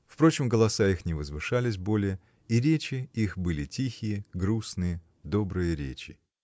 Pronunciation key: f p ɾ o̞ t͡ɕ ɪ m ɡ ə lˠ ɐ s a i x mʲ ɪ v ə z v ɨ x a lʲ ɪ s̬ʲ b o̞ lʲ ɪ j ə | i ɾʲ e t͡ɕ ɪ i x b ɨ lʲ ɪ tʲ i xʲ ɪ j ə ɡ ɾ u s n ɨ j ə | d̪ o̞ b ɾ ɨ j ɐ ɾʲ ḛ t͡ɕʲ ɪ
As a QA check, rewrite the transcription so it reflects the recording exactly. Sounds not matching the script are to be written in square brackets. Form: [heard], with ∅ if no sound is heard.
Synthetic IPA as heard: f p ɾ o̞ t͡ɕ ɪ m ɡ ə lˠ ɐ s a i x [nʲ] ɪ v ə z v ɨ [ʂ] a lʲ ɪ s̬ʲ b o̞ lʲ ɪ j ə | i ɾʲ e t͡ɕ ɪ i x b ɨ lʲ ɪ tʲ i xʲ ɪ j ə ɡ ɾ u s n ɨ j ə | d̪ o̞ b ɾ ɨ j [ə] ɾʲ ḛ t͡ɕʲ ɪ